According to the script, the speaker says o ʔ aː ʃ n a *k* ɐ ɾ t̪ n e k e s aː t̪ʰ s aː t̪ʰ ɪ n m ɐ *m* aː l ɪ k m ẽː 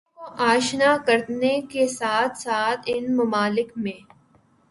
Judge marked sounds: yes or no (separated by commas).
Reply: yes, yes